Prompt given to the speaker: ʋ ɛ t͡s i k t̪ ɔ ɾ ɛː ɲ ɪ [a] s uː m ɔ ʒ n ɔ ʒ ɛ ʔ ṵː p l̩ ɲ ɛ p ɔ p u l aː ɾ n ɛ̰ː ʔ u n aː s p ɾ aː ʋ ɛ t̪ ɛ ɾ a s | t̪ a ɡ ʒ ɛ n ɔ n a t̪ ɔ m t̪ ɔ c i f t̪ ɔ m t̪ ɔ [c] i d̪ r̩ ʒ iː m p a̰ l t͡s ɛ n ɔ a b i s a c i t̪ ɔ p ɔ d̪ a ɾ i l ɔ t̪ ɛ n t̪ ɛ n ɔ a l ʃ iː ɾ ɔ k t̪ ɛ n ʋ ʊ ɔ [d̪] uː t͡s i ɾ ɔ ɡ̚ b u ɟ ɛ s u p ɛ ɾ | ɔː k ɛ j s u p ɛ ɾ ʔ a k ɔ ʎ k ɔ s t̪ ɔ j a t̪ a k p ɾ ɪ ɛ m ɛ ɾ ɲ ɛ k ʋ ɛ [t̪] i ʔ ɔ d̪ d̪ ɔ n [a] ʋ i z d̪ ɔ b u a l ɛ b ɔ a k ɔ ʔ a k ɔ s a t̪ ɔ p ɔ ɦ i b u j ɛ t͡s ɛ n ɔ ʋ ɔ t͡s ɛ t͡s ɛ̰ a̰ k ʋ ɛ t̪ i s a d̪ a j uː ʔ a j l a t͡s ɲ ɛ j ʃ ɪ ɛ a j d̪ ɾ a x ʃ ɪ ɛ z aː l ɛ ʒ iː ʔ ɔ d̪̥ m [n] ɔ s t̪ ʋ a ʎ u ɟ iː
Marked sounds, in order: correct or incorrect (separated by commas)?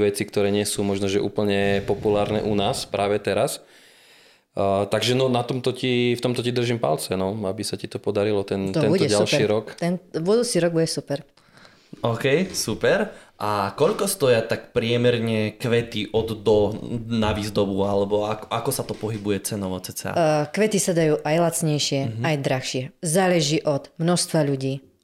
incorrect, correct, correct, correct, correct, correct